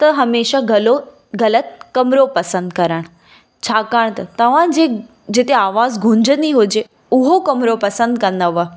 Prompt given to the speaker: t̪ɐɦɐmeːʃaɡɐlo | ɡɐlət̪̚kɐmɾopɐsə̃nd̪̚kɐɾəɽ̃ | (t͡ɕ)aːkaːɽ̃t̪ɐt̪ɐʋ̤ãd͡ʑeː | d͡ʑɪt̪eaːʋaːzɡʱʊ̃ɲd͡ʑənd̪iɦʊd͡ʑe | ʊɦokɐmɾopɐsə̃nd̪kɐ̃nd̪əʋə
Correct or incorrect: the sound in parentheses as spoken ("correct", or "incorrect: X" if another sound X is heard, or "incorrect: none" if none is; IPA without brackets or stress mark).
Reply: incorrect: t͡ɕʰ